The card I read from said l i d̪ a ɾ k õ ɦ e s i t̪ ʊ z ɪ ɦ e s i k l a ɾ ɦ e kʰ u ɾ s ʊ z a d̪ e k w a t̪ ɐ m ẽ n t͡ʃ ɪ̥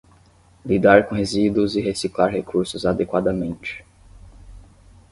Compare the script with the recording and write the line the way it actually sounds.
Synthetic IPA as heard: l i d̪ a ɾ k õ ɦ e z i d̪ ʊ z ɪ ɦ e s i k l a ɾ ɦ e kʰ u ɾ s ʊ z a d̪ e k w a d̪ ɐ m ẽ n t͡ʃ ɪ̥